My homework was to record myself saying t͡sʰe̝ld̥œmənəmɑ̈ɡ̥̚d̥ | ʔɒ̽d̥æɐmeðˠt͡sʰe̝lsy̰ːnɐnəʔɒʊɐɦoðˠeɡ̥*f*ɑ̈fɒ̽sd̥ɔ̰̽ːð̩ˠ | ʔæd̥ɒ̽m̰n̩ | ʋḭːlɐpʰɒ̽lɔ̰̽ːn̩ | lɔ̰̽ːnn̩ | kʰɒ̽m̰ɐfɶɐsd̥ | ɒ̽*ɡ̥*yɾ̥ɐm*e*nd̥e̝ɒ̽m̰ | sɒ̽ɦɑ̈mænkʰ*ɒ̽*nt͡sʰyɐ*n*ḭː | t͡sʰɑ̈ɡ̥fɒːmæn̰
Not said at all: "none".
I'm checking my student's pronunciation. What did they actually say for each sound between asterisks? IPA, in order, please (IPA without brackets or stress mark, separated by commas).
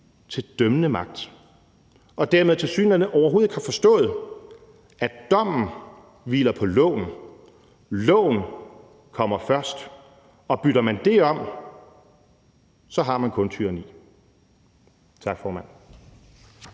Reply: h, b̥, æ, ɔ̽, n